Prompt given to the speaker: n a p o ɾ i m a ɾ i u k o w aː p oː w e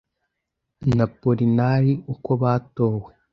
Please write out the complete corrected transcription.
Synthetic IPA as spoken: n a p o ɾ i n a ɾ i u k o β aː t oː w e